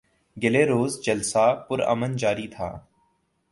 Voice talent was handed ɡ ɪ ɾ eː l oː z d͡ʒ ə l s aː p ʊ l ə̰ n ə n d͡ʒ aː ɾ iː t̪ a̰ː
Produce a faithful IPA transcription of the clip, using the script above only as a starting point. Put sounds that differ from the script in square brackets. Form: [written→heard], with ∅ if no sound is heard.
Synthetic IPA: ɡ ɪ [ɾ→l] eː [l→ɾ] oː z d͡ʒ ə l s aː p ʊ [l→ɾ] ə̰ [n→m] ə n d͡ʒ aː ɾ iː [t̪→t̪ʰ] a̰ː